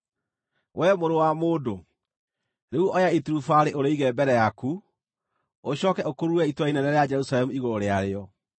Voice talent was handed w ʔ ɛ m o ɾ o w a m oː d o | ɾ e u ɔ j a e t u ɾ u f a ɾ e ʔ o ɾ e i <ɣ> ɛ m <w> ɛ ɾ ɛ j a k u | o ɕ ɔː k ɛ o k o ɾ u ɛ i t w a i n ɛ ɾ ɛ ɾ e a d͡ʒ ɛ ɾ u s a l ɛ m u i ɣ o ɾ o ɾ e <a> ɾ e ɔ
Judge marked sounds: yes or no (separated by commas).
yes, no, yes